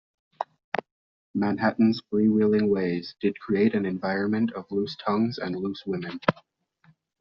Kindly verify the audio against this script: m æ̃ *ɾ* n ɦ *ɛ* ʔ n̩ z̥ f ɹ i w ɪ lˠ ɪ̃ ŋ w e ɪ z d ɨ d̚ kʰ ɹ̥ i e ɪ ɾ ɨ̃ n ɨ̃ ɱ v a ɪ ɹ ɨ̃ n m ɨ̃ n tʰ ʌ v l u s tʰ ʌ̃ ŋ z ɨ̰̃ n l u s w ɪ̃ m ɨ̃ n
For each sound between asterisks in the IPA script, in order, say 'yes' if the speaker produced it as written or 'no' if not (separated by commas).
no, no